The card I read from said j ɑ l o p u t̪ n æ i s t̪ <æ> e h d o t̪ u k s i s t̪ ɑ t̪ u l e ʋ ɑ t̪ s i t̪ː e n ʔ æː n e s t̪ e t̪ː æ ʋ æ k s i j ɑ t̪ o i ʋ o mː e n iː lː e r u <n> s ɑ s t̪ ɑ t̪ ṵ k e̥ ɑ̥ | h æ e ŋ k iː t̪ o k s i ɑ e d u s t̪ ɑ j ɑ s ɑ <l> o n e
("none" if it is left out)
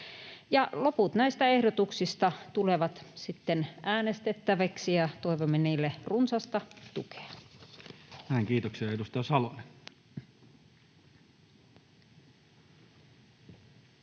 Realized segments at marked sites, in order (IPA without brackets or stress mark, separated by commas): æ, n, l